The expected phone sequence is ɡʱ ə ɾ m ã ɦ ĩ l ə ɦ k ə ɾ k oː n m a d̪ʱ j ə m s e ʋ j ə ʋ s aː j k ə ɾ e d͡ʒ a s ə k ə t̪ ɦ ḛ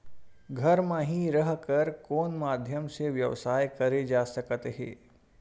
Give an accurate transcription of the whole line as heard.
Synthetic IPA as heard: ɡʱ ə ɾ m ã ɦ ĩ ɾ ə ɦ k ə ɾ k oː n m a d̪ʱ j ə m s e ʋ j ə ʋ s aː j k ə ɾ e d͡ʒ a s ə k ə t̪ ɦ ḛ